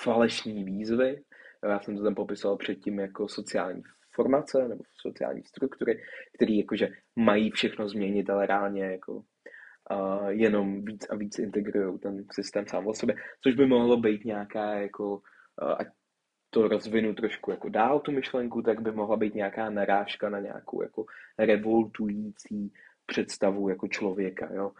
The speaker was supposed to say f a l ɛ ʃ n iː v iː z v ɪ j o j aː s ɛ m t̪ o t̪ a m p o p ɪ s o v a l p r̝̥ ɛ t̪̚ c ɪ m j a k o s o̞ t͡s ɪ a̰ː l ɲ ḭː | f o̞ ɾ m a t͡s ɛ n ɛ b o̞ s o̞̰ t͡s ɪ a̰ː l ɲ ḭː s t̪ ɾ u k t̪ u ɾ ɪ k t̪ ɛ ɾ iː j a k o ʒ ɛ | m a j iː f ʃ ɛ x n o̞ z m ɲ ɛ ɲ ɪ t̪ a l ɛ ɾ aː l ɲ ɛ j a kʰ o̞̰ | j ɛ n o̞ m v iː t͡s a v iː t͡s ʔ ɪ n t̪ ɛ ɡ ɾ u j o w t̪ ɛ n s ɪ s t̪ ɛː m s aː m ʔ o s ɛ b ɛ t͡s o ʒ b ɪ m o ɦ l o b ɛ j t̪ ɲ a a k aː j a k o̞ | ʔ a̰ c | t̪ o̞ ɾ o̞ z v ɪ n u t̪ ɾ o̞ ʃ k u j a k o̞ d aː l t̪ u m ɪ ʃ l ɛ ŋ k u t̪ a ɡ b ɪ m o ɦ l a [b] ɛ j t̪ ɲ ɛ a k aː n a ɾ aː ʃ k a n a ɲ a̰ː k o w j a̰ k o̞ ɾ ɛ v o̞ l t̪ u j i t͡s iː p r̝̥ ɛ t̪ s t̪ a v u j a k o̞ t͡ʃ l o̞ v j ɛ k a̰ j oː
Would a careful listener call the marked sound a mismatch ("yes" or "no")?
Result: no